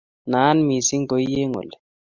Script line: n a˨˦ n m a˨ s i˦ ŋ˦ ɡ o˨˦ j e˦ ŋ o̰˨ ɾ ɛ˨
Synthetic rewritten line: n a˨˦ n m i˨ s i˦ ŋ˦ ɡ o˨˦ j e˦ ŋ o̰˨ l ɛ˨